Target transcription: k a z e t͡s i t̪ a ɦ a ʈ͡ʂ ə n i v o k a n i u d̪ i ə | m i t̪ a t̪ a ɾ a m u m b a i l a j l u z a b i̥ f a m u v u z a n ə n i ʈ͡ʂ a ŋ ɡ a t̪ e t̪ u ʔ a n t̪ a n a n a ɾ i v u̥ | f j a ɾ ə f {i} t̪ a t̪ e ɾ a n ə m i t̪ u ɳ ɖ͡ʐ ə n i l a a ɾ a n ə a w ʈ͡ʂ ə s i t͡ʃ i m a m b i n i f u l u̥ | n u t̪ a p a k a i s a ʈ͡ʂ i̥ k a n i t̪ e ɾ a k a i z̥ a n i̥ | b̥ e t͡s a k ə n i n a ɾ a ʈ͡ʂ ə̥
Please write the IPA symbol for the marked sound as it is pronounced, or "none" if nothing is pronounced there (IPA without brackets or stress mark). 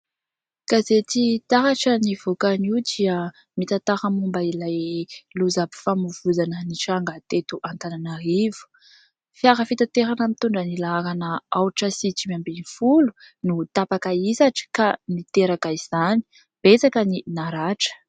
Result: i